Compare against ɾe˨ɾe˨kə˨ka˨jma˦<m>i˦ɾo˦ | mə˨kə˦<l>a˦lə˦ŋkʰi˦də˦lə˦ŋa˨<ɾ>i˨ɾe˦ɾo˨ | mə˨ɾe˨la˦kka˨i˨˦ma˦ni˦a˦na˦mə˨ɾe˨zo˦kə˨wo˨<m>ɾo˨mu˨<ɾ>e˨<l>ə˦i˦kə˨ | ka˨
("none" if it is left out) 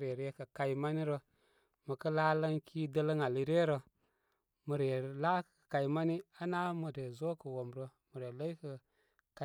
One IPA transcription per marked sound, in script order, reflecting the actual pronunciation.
n, l, l, m, ɾ, l

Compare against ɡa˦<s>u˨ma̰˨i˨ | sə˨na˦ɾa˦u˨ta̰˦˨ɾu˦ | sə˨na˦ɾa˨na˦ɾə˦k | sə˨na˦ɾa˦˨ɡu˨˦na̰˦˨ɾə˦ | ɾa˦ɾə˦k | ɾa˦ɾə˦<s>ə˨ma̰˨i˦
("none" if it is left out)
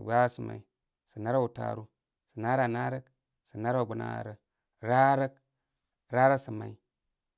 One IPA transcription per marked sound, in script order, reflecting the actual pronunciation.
s, s

